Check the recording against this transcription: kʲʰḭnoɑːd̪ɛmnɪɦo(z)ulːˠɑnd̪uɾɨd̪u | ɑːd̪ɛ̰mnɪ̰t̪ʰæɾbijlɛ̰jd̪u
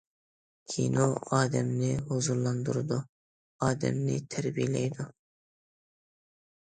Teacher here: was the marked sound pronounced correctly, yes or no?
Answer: yes